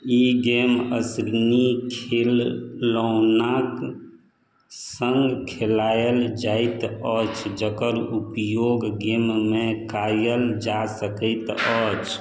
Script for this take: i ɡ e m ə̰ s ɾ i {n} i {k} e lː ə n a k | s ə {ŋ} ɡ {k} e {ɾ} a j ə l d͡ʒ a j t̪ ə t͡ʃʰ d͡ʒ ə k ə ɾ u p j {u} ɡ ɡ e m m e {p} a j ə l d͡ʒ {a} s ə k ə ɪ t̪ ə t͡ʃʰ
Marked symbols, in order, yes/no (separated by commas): yes, no, yes, no, no, no, no, yes